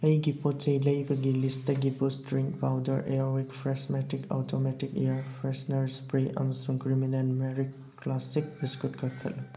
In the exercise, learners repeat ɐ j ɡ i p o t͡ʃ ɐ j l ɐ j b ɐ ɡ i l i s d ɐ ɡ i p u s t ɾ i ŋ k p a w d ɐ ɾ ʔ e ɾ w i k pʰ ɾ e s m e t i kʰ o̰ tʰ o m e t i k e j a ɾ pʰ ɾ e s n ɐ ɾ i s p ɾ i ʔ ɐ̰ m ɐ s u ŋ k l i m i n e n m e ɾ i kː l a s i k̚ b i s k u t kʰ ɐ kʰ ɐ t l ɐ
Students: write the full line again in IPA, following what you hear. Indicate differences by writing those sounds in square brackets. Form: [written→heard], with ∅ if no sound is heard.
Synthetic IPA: ɐ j ɡ i p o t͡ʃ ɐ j l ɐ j b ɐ ɡ i l i s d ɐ ɡ i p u s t ɾ i ŋ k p a w d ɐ ɾ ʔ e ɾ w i k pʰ ɾ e s m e t i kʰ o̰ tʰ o m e t i k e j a ɾ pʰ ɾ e s n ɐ ɾ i s p ɾ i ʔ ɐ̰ m ɐ s u ŋ k [l→ɾ] i m i n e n m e ɾ i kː l a s i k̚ b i s k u t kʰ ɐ kʰ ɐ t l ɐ